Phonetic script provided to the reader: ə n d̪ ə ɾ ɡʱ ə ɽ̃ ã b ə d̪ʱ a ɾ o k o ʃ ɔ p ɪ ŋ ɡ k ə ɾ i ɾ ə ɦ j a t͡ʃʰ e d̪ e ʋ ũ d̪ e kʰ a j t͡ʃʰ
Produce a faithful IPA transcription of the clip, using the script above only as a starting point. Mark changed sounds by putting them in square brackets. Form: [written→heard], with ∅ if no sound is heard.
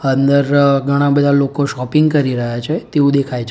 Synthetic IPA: ə n d̪ ə ɾ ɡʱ ə ɽ̃ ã b ə d̪ʱ a [ɾ→l] o k o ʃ ɔ p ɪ ŋ ɡ k ə ɾ i ɾ ə ɦ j a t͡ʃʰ e [d̪→t̪] e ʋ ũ d̪ e kʰ a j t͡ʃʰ